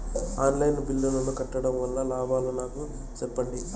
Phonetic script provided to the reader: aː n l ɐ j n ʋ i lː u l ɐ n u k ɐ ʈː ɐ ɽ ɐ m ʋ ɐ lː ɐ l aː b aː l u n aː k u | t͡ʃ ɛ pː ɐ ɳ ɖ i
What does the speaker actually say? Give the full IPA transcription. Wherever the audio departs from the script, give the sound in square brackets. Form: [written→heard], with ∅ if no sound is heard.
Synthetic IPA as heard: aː n l ɐ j n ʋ i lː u l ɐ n u k ɐ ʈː ɐ ɽ ɐ m ʋ ɐ lː ɐ l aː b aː l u n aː k u | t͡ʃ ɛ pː ɐ ɳ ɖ i